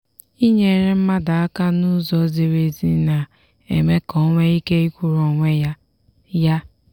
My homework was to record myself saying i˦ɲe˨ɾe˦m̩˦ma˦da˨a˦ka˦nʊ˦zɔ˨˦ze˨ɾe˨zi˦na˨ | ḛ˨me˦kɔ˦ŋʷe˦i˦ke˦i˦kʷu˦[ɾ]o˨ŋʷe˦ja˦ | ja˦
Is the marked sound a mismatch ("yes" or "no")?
no